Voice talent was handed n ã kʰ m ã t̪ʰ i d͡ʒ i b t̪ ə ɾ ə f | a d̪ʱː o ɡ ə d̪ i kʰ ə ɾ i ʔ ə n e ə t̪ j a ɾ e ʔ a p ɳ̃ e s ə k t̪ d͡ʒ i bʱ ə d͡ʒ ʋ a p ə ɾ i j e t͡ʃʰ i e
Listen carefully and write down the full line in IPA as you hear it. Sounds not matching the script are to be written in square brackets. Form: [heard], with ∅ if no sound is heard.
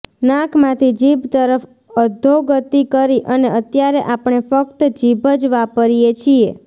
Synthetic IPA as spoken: n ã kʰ m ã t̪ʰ i d͡ʒ i b t̪ ə ɾ ə f | [ə] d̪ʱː o ɡ ə [t̪] i [k] ə ɾ i ʔ ə n e ə t̪ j a ɾ e ʔ a p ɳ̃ e [f] ə k t̪ d͡ʒ i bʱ ə d͡ʒ ʋ a p ə ɾ i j e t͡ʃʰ i e